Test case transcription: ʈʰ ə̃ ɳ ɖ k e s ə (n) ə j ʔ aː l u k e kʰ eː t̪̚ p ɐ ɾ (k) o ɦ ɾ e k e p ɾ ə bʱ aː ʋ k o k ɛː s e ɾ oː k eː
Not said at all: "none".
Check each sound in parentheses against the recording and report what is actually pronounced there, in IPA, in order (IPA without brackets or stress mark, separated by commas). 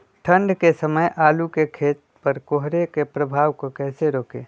m, k